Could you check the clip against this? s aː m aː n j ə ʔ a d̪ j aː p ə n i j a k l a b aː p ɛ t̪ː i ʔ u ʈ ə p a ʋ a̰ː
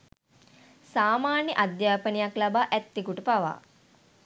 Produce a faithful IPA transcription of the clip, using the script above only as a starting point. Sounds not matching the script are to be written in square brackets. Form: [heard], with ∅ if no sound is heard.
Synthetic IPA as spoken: s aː m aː n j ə ʔ a d̪ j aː p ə n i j a k l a b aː [ʔ] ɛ t̪ː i [k] u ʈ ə p a ʋ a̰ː